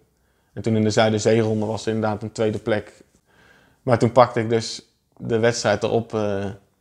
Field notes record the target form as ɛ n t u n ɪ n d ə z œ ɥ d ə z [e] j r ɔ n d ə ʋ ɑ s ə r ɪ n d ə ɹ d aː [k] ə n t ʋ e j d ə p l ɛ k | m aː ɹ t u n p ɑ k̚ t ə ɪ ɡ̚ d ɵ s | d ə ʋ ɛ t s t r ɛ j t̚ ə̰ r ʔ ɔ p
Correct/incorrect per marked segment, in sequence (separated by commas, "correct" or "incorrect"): correct, incorrect